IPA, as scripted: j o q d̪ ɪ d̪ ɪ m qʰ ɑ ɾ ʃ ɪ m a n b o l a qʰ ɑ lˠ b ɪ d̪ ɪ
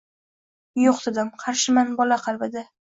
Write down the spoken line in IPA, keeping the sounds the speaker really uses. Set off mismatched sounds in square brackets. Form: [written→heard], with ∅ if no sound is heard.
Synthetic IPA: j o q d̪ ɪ d̪ ɪ m qʰ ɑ ɾ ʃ ɪ m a n b [o→ɒ] l a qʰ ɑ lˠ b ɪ d̪ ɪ